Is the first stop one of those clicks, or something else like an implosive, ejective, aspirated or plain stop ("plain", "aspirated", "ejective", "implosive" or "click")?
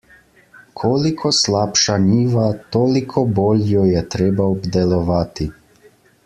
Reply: aspirated